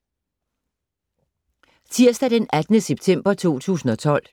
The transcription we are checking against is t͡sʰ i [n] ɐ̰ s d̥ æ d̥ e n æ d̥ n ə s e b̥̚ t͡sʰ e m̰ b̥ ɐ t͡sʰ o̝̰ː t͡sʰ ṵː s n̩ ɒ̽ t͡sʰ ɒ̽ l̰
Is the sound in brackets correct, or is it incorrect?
incorrect